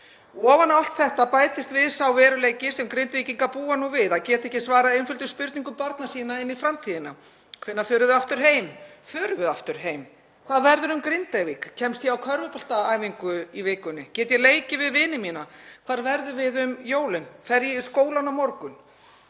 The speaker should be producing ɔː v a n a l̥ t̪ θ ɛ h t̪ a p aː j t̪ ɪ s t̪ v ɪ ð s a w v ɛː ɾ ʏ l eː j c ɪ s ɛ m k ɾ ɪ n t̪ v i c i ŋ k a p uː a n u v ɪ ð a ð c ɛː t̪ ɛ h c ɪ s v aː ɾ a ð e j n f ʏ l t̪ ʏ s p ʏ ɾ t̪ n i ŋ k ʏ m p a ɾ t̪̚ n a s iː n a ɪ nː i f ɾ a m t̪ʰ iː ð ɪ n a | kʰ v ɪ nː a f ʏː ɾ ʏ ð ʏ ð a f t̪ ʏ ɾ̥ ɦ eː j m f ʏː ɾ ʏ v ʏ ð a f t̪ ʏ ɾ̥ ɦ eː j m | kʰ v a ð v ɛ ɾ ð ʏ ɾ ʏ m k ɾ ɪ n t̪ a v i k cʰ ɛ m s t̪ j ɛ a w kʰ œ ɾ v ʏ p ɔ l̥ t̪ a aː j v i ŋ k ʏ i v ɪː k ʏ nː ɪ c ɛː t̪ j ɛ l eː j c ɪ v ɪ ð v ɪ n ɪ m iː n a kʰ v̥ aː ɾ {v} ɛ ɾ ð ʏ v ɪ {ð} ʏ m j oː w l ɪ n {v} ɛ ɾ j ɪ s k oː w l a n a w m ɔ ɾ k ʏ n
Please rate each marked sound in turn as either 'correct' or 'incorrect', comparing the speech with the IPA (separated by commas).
correct, correct, incorrect